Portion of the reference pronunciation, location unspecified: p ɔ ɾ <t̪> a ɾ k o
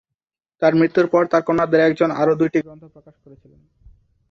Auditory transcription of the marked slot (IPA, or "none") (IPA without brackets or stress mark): t̪